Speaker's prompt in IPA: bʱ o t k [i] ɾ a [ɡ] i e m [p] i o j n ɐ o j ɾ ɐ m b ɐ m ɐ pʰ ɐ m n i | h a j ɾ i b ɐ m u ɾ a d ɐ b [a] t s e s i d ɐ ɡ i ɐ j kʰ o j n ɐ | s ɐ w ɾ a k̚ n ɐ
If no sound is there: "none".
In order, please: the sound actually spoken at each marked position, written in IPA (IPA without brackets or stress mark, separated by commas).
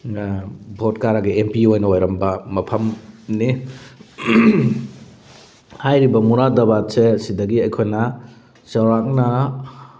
a, ɡ, p, a